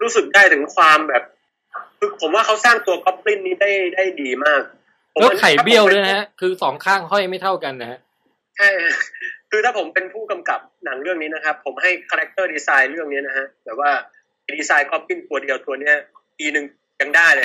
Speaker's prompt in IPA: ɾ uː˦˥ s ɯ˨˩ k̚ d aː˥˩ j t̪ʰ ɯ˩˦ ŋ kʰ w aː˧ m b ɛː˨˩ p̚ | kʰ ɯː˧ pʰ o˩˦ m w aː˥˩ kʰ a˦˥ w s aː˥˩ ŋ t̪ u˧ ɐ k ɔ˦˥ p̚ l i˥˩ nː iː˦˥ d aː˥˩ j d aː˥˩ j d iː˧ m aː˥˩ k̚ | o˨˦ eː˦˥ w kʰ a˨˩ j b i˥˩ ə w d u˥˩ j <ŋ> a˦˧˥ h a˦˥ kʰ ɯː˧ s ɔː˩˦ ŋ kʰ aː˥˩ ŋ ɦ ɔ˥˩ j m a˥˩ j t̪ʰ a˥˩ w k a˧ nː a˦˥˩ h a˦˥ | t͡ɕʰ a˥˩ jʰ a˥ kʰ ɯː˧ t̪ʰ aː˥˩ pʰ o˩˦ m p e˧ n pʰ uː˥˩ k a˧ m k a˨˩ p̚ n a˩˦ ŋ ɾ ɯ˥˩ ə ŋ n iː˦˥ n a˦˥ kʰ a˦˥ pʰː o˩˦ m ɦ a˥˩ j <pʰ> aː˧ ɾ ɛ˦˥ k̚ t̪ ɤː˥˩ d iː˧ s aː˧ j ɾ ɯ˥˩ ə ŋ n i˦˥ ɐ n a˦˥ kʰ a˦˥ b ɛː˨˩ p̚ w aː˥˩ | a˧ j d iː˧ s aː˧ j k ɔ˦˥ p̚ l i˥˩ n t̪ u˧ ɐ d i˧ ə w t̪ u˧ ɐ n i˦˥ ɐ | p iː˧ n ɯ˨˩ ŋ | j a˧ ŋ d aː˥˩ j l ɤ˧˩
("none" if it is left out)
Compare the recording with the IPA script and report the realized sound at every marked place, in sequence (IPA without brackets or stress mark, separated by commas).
n, kʰ